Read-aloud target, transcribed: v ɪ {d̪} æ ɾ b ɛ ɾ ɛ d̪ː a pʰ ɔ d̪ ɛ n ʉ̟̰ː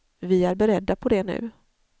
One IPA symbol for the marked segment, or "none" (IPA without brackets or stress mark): none